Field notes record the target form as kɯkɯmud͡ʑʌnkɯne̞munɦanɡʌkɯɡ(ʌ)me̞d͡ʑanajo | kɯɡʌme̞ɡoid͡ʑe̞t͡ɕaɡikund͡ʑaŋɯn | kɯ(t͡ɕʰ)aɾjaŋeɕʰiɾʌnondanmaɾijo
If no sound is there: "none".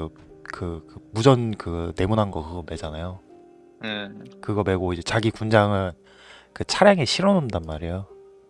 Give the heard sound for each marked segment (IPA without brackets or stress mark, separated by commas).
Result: ʌ, t͡ɕʰ